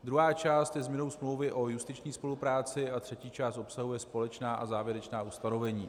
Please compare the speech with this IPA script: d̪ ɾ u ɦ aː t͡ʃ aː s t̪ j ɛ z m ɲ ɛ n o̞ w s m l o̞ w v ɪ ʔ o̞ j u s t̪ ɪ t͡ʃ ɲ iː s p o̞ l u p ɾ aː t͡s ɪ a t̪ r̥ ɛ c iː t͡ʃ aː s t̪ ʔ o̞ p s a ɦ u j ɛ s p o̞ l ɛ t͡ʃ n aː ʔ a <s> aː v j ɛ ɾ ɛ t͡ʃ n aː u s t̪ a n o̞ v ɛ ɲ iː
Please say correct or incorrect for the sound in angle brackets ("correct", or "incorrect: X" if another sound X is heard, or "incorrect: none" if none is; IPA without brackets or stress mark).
incorrect: z